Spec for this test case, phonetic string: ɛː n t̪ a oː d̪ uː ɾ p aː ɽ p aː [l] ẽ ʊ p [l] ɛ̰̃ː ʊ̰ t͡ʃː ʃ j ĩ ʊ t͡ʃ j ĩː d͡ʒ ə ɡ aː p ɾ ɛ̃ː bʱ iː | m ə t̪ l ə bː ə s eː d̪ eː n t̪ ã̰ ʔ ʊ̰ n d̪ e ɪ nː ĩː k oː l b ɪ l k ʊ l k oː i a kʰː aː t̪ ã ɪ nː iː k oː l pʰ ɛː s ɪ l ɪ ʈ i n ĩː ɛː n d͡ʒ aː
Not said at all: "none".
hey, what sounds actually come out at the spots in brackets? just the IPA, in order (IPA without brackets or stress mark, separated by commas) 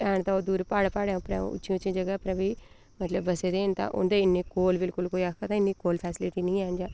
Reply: ɽ, ɾ